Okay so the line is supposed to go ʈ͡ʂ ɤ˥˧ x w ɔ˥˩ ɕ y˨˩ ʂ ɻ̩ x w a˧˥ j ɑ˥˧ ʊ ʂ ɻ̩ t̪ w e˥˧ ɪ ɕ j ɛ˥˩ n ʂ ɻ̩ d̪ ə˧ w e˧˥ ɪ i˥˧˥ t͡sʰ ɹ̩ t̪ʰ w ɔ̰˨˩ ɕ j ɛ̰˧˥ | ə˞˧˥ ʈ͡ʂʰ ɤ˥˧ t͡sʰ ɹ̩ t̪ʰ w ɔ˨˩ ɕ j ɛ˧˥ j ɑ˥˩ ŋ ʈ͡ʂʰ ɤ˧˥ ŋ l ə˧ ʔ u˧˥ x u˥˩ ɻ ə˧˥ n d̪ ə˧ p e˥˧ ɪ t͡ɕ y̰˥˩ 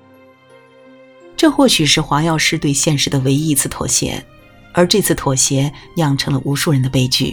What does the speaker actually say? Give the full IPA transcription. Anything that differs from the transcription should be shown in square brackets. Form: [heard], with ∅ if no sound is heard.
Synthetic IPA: ʈ͡ʂ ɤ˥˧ x w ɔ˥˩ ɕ y˨˩ ʂ ɻ̩ x w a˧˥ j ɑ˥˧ ʊ ʂ ɻ̩ t̪ w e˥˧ ɪ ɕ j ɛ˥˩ n ʂ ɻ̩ d̪ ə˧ w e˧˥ ɪ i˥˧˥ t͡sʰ ɹ̩ t̪ʰ w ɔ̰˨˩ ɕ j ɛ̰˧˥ | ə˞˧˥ [ʈ͡ʂ] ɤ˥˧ t͡sʰ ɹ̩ t̪ʰ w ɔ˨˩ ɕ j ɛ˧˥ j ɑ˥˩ ŋ ʈ͡ʂʰ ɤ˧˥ ŋ l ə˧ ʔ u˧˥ [ʂ] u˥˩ ɻ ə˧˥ n d̪ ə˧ p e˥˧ ɪ t͡ɕ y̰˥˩